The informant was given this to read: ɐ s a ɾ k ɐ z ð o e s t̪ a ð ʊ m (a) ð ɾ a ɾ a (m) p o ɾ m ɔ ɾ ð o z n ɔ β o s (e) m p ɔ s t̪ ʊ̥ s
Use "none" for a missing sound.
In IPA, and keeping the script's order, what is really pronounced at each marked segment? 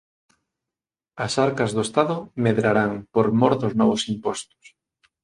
e, ŋ, i

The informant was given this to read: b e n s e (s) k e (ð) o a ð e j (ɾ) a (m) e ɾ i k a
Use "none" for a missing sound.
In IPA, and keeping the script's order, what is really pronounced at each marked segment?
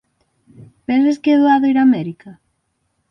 s, ð, ɾ, m

